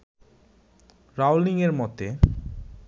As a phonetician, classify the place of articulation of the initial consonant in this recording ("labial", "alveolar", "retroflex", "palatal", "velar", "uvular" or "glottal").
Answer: alveolar